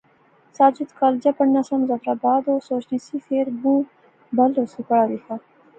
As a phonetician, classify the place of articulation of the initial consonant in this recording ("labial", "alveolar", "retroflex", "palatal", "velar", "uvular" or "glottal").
alveolar